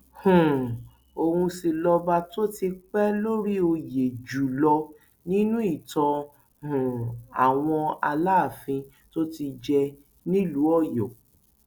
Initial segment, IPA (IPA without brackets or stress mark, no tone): h